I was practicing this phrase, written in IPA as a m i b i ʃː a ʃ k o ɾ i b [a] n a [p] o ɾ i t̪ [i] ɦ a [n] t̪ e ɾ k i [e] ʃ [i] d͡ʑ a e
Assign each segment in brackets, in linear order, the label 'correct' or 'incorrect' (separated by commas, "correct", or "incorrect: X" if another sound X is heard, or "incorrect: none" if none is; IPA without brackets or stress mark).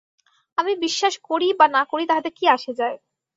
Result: correct, incorrect: k, incorrect: a, incorrect: none, incorrect: a, incorrect: e